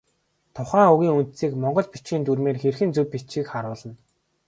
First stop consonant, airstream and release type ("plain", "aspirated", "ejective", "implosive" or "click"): aspirated